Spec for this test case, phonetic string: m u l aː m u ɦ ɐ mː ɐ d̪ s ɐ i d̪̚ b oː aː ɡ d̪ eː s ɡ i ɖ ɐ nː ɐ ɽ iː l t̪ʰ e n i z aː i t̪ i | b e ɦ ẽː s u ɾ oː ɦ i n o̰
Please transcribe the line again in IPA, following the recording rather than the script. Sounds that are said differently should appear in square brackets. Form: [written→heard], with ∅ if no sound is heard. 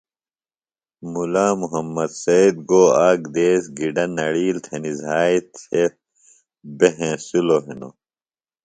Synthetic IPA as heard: m u l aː m u ɦ ɐ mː ɐ d̪ s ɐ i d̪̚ [b→ɡ] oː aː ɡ d̪ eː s ɡ i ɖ ɐ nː ɐ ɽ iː l t̪ʰ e n i z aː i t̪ [i→e] | b e ɦ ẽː s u [ɾ→l] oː ɦ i n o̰